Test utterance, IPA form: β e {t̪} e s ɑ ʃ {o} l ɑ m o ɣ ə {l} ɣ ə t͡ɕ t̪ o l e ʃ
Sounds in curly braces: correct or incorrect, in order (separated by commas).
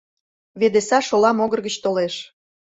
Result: incorrect, correct, incorrect